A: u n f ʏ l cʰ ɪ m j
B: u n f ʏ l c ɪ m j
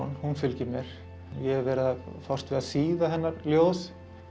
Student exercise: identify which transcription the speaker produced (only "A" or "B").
B